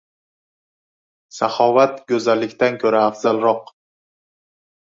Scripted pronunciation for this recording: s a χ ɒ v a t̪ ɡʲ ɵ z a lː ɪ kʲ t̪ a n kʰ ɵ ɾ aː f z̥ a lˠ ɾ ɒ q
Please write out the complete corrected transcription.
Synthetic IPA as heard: s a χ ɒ v a t̪ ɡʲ ɵ z a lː ɪ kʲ t̪ a n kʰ ɵ ɾ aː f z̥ a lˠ ɾ ɒ q

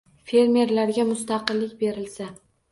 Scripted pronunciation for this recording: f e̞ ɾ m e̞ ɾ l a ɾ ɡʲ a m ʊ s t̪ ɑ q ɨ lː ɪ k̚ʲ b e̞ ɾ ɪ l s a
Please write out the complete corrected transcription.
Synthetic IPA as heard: f e̞ ɾ m e̞ ɾ l a ɾ ɡʲ a m ʊ s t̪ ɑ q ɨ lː ɪ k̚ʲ b e̞ ɾ ɪ l s a

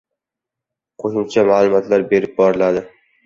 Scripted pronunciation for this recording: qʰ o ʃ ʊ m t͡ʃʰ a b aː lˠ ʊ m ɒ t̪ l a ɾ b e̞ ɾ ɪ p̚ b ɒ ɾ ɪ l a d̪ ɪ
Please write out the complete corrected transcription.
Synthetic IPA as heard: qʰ o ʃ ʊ m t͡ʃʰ a m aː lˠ ʊ m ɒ t̪ l a ɾ b e̞ ɾ ɪ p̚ b ɒ ɾ ɪ l a d̪ ɪ

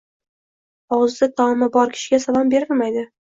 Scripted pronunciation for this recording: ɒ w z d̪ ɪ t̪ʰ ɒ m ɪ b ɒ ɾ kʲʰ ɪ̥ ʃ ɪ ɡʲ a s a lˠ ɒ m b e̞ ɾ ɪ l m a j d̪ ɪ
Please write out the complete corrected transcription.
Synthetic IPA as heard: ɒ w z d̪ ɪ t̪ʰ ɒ m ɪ b ɒ ɾ kʲʰ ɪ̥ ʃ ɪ ɡʲ a s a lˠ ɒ m b e̞ ɾ ɪ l m a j d̪ ɪ

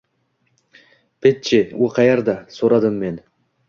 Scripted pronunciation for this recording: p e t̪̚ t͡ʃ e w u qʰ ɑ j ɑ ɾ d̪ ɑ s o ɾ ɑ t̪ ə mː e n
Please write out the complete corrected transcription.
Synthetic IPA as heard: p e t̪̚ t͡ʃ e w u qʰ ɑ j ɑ ɾ d̪ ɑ s o ɾ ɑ d̪ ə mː e n

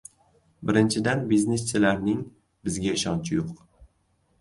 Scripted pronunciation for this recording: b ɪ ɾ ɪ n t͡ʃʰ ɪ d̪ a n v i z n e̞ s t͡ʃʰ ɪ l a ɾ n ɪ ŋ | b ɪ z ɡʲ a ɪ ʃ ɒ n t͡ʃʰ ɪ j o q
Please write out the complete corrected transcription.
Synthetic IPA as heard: b ɪ ɾ ɪ n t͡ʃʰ ɪ d̪ a n b i z n e̞ s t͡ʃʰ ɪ l a ɾ n ɪ ŋ | b ɪ z ɡʲ a ɪ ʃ ɒ n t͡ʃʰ ɪ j o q

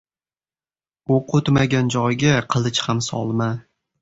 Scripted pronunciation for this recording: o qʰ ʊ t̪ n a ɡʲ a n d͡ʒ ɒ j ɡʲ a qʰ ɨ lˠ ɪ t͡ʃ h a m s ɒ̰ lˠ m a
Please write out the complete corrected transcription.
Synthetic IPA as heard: o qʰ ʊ t̪ m a ɡʲ a n d͡ʒ ɒ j ɡʲ a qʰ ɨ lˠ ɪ t͡ʃ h a m s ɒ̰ lˠ m a

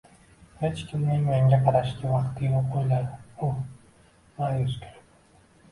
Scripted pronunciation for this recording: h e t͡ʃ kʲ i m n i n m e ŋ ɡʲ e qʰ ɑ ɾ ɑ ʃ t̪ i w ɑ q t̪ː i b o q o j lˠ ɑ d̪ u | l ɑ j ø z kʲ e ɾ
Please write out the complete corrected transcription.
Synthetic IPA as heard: h e t͡ʃ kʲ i m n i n m e ŋ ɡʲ e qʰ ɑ ɾ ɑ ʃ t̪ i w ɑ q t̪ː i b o q o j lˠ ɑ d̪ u | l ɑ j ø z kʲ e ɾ

